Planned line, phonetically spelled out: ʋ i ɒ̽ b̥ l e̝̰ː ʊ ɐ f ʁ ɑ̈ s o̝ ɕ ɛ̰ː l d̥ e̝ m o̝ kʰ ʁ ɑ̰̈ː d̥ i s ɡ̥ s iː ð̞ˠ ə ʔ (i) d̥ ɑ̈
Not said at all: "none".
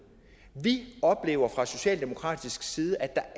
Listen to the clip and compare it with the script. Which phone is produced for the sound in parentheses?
æ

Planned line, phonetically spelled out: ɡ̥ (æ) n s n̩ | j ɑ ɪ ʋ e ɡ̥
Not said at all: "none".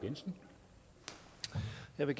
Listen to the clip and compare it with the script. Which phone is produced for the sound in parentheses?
e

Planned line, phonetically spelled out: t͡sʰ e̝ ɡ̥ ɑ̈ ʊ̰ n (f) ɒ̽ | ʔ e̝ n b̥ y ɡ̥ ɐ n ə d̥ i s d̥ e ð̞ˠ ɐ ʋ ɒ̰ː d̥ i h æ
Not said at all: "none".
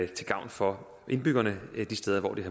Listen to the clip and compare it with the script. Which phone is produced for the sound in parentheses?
f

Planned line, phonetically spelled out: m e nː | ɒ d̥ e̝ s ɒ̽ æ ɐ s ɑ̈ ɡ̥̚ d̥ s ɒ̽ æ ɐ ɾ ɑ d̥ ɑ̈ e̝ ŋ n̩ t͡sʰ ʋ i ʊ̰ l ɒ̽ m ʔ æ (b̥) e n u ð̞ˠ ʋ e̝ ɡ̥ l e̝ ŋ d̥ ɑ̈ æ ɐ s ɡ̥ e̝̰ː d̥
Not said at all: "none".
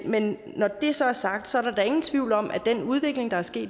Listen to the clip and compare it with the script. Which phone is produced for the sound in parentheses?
d̥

